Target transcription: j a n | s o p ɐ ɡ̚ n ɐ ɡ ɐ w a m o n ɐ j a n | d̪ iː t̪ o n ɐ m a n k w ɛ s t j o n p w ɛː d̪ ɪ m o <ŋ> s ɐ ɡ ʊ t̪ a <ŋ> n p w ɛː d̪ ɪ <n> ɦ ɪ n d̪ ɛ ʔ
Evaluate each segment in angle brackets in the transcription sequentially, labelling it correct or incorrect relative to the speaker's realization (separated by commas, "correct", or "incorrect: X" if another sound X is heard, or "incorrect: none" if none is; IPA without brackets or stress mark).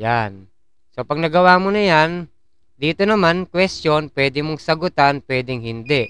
correct, incorrect: none, incorrect: ŋ